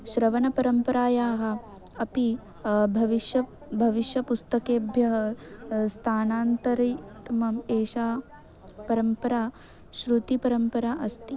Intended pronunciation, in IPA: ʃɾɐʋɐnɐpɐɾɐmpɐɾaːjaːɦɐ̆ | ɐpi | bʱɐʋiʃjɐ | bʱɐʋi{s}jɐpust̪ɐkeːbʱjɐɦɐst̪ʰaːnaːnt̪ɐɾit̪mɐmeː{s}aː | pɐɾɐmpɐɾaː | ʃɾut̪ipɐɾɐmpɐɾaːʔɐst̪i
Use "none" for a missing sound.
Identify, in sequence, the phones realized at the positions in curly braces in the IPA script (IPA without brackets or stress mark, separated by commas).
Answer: ʃ, ʃ